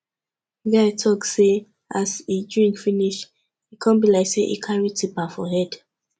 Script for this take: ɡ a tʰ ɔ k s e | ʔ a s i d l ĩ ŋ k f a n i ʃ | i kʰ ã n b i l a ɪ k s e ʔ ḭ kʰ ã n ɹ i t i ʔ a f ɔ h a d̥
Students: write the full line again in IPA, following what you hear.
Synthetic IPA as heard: ɡ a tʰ ɔ k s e | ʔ a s i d ɹ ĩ ŋ k f i n i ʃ | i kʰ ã n b i l a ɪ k s e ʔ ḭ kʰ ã n ɹ i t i p a f ɔ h ɛ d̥